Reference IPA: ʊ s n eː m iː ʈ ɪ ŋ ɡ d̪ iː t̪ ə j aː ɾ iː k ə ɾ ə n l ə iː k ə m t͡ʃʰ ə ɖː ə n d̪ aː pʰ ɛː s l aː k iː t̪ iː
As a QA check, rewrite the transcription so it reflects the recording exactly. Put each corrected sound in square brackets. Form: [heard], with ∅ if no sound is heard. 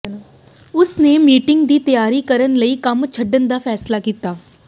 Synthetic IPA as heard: ʊ s n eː m iː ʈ ɪ ŋ ɡ d̪ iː t̪ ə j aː ɾ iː k ə ɾ ə n l ə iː k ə m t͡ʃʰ ə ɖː ə n d̪ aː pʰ ɛː s l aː k iː t̪ [aː]